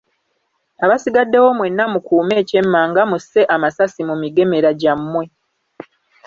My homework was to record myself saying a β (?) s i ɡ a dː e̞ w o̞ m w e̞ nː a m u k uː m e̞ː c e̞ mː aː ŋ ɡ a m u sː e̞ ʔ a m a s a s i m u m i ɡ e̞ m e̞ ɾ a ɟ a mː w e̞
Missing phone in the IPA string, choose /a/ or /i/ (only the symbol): a